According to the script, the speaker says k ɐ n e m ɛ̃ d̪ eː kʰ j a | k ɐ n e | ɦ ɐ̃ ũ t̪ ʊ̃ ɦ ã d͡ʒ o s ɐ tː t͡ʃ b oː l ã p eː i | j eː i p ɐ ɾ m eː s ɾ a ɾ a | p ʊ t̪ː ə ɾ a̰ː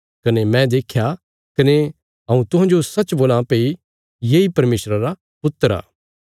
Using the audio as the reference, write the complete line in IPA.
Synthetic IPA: k ɐ n e m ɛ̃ d̪ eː kʰ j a | k ɐ n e | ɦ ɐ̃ ũ t̪ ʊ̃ ɦ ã d͡ʒ o s ɐ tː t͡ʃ b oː l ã p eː i | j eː i p ɐ ɾ m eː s ɾ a ɾ a | p ʊ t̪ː ə ɾ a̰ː